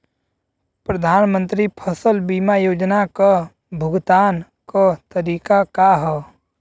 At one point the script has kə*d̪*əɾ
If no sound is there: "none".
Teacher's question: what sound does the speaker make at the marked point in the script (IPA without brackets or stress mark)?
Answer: t̪